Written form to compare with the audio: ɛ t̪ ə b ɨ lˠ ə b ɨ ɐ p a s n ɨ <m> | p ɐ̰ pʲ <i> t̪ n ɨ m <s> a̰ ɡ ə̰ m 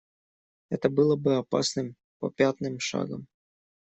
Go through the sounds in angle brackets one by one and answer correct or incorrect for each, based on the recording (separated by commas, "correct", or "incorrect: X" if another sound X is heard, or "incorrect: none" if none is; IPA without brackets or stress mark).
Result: correct, incorrect: a, incorrect: ʂ